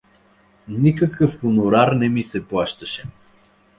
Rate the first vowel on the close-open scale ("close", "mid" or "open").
close